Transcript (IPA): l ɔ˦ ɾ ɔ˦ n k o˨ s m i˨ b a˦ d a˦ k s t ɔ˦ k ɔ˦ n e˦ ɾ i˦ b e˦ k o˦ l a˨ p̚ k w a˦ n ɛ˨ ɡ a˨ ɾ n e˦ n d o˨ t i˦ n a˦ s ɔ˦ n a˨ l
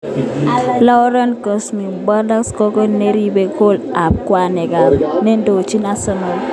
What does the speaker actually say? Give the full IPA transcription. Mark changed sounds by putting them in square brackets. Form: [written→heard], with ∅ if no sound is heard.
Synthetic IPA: l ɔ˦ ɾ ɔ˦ n k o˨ s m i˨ b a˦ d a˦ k s [t→k] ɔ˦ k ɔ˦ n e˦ ɾ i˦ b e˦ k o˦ l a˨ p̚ k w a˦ n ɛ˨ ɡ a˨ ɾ n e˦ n d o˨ [t→t͡ʃ] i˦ n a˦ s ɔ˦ n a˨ l

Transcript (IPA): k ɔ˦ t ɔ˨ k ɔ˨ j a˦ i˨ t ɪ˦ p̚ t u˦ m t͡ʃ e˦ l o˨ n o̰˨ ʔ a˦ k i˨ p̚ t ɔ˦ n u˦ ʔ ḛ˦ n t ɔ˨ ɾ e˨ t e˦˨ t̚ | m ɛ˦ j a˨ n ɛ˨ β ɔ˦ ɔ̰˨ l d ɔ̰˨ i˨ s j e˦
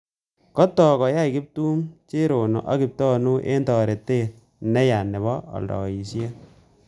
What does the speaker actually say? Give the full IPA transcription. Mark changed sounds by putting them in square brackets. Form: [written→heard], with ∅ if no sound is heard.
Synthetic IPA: k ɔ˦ t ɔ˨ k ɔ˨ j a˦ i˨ [t→k] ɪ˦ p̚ t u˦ m t͡ʃ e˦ [l→ɾ] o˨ n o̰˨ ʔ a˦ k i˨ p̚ t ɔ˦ n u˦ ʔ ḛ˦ n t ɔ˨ ɾ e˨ t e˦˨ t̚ | [m→n] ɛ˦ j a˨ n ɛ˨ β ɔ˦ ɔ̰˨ l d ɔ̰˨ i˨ s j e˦

